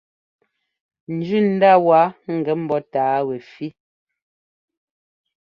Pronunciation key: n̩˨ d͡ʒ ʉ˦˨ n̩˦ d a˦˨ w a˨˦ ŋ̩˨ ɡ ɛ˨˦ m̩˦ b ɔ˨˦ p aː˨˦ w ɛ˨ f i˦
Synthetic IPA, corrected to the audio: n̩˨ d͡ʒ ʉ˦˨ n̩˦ d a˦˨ w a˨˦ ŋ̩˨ ɡ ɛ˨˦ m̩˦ b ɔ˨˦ t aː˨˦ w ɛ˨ f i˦